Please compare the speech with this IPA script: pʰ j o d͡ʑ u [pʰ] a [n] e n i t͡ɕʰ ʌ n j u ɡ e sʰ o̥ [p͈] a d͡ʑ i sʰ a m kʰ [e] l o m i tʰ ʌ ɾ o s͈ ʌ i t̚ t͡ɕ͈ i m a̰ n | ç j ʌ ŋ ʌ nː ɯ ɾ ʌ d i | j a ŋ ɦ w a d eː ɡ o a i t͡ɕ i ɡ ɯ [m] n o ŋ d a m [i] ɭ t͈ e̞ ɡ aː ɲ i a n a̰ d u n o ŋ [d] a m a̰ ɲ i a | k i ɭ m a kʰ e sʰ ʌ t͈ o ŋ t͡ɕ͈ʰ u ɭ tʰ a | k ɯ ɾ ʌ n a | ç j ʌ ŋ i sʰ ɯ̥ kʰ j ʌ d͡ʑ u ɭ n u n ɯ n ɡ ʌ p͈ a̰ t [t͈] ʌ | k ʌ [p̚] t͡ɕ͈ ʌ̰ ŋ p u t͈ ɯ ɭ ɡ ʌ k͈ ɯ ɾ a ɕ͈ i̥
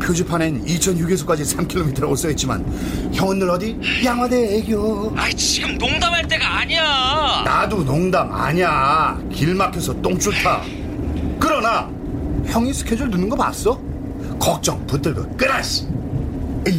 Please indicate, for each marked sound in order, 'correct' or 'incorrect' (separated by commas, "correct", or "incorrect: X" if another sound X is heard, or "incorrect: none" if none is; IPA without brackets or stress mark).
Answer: correct, correct, incorrect: k͈, incorrect: i, correct, incorrect: a, correct, incorrect: s͈, incorrect: k̚